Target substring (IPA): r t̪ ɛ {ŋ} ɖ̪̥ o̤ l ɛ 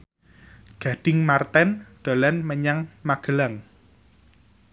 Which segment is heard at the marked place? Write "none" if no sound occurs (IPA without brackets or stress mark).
n